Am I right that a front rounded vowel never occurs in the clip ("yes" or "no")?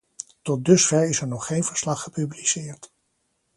no